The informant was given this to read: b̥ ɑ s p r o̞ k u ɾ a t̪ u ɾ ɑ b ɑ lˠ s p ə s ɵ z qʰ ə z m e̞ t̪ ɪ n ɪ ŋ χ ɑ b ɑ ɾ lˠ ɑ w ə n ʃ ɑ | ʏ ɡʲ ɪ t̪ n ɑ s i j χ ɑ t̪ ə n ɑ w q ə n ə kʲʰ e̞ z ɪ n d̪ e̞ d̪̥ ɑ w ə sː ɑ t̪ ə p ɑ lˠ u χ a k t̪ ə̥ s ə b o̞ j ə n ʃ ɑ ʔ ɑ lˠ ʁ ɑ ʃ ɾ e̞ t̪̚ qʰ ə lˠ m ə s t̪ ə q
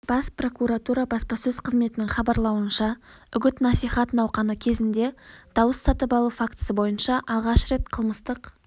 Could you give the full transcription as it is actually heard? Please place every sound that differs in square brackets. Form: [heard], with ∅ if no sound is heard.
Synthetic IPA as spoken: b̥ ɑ s p r o̞ k u ɾ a t̪ u ɾ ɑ b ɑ [∅] s p [ɑ] s ɵ z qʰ ə z m e̞ t̪ ɪ n ɪ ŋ χ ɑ b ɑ ɾ lˠ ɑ w ə n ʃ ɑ | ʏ ɡʲ ɪ t̪ n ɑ s i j χ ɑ t̪ ə n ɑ w q [ɑ] n ə kʲʰ e̞ z ɪ n d̪ e̞ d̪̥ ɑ w ə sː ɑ t̪ ə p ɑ lˠ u [f] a k t̪ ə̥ s ə b o̞ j ə n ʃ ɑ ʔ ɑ lˠ ʁ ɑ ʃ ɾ e̞ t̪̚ qʰ ə lˠ m ə s t̪ ə q

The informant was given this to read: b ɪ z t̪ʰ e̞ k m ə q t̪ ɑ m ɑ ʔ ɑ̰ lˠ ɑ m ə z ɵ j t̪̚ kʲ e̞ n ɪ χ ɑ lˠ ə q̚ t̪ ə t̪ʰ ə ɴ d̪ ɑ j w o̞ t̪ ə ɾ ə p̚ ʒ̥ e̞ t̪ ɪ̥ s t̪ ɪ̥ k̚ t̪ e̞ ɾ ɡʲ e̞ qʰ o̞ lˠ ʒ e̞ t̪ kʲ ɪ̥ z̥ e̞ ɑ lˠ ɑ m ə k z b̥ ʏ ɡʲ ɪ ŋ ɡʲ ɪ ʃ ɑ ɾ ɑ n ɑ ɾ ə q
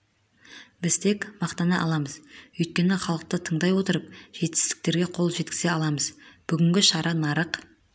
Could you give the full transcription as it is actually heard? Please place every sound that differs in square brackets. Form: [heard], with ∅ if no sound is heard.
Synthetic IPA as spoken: b ɪ z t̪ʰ e̞ k m [ɑ] q t̪ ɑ [n] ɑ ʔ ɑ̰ lˠ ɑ m ə z ɵ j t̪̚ kʲ e̞ n ɪ χ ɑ lˠ ə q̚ t̪ ə t̪ʰ ə ɴ d̪ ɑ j w o̞ t̪ ə ɾ ə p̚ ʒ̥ e̞ t̪ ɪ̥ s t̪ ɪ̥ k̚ t̪ e̞ ɾ ɡʲ e̞ qʰ o̞ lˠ ʒ e̞ t̪ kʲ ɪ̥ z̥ e̞ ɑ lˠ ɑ m ə [∅] z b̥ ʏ ɡʲ ɪ ŋ ɡʲ ɪ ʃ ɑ ɾ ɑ n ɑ ɾ ə q

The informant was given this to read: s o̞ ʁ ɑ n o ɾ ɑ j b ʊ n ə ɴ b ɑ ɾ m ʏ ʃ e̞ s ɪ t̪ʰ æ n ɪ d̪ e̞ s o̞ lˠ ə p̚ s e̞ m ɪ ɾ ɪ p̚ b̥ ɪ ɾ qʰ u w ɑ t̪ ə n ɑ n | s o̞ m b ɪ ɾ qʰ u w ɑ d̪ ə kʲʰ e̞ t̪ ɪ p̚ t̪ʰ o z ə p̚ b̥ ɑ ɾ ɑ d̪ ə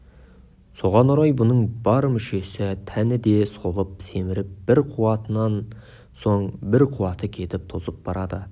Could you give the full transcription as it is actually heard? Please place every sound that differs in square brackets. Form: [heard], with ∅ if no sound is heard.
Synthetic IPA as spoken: s o̞ ʁ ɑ n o ɾ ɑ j b ʊ n ə ɴ b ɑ ɾ m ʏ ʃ e̞ s ɪ t̪ʰ æ n ɪ d̪ e̞ s o̞ lˠ ə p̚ s e̞ m ɪ ɾ ɪ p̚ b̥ ɪ ɾ qʰ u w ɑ t̪ ə n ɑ n | s o̞ [ɴ] b ɪ ɾ qʰ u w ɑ [t̪] ə kʲʰ e̞ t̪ ɪ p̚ t̪ʰ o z ə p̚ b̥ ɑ ɾ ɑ d̪ ə

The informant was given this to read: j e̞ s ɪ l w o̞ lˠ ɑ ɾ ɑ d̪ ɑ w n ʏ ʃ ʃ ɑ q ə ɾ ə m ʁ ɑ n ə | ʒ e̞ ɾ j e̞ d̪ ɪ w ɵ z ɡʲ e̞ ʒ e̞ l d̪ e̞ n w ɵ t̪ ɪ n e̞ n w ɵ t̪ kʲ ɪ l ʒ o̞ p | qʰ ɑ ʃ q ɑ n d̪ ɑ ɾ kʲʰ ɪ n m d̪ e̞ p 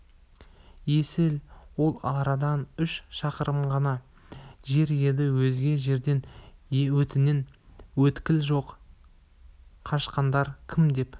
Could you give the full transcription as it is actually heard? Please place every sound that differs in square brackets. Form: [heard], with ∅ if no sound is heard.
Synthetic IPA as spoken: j e̞ s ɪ l w o̞ lˠ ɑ ɾ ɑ d̪ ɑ [∅] n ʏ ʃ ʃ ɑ q ə ɾ ə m ʁ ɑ n [ɑ] | ʒ e̞ ɾ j e̞ d̪ ɪ w ɵ z ɡʲ e̞ ʒ e̞ [ɾ] d̪ e̞ n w ɵ t̪ ɪ n e̞ n w ɵ t̪ kʲ ɪ l ʒ o̞ [q] | qʰ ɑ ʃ q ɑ n d̪ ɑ ɾ kʲʰ ɪ [∅] m d̪ e̞ p

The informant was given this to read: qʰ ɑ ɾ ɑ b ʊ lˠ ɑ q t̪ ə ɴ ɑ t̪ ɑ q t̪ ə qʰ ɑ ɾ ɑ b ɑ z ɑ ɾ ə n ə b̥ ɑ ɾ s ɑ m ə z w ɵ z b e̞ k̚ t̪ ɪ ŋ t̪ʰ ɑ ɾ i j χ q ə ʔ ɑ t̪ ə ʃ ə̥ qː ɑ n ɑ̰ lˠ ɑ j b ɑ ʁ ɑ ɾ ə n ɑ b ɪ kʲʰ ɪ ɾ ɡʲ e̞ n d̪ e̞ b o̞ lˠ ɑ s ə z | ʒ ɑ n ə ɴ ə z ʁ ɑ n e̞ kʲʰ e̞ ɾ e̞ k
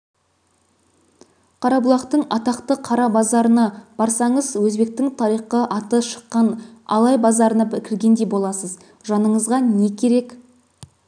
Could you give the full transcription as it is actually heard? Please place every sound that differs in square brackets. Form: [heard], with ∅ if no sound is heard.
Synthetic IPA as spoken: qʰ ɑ ɾ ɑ b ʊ lˠ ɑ q t̪ ə ɴ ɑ t̪ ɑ q t̪ ə qʰ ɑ ɾ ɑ b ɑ z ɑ ɾ ə n [ɑ] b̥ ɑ ɾ s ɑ [ɴ] ə z w ɵ z b e̞ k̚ t̪ ɪ ŋ t̪ʰ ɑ ɾ i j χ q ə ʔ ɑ t̪ ə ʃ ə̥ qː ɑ n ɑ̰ lˠ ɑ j b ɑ [z] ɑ ɾ ə n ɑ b ɪ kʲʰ ɪ ɾ ɡʲ e̞ n d̪ e̞ b o̞ lˠ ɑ s ə z | ʒ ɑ n ə ɴ ə z ʁ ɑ n e̞ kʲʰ e̞ ɾ e̞ k

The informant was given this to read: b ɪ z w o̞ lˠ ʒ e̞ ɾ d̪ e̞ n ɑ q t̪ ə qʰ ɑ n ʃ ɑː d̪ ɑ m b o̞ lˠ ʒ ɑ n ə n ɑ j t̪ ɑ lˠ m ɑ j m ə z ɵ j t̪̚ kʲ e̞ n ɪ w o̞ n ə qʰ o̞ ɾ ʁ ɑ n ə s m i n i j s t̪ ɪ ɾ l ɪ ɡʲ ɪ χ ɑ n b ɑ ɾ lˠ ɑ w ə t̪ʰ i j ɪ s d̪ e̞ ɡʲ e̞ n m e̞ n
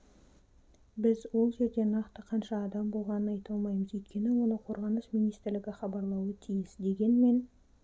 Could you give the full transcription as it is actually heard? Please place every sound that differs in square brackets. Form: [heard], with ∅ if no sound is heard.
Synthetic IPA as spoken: b ɪ z w o̞ lˠ ʒ e̞ ɾ d̪ e̞ n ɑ q t̪ ə qʰ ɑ n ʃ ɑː d̪ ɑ m b o̞ lˠ [ʁ] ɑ n ə n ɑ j t̪ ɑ lˠ m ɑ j m ə z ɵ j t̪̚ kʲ e̞ n ɪ w o̞ n ə qʰ o̞ ɾ ʁ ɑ n ə s m i n i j s t̪ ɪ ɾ l ɪ ɡʲ ɪ χ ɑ [∅] b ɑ ɾ lˠ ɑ w ə t̪ʰ i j ɪ s d̪ e̞ ɡʲ e̞ n m e̞ n

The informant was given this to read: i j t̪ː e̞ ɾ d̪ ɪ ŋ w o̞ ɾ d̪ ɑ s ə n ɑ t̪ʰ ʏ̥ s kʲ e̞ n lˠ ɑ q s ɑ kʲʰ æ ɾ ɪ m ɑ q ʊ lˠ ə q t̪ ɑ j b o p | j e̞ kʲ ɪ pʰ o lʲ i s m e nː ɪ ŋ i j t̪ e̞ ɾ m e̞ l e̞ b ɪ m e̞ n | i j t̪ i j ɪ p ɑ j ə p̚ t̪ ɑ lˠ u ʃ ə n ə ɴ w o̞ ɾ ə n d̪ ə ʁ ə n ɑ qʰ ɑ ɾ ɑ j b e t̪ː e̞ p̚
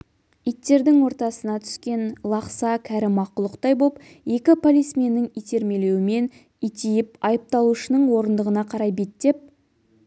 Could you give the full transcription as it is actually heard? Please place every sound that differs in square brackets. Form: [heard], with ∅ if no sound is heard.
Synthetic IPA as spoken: i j t̪ː e̞ ɾ d̪ ɪ ŋ w o̞ ɾ [t̪] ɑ s ə n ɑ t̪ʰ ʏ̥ s kʲ e̞ n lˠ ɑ q s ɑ kʲʰ æ ɾ ɪ m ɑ q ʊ lˠ ə q t̪ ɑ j b o p | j e̞ kʲ ɪ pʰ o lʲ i s m e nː ɪ ŋ i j t̪ e̞ ɾ m e̞ l e̞ [w] ɪ m e̞ n | i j t̪ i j ɪ p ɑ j ə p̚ t̪ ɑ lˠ u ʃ ə n ə ɴ w o̞ ɾ ə n d̪ ə ʁ ə n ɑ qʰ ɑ ɾ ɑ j b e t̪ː e̞ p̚

